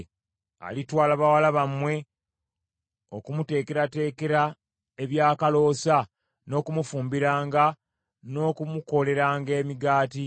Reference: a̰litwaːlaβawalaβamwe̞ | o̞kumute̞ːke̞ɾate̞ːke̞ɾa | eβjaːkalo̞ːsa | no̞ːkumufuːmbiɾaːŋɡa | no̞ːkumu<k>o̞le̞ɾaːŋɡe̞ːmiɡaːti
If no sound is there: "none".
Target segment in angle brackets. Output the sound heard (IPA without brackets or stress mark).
k